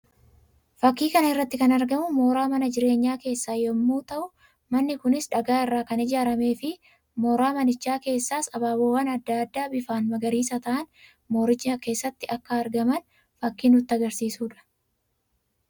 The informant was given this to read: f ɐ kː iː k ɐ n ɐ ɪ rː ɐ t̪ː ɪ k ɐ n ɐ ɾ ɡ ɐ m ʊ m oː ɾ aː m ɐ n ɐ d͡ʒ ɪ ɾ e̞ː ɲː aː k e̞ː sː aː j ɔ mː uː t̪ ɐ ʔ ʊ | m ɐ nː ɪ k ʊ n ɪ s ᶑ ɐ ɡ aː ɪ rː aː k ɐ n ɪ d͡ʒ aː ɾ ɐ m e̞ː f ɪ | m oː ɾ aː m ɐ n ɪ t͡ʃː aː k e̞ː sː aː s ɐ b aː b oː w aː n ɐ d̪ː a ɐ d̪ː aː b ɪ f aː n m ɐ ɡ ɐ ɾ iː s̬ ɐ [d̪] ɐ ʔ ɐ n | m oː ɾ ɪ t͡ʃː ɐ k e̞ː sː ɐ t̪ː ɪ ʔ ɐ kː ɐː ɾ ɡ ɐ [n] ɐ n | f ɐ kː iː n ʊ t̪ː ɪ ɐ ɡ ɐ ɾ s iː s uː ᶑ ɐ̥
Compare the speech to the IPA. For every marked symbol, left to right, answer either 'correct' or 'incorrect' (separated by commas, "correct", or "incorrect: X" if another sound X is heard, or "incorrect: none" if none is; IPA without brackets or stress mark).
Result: incorrect: t̪, incorrect: m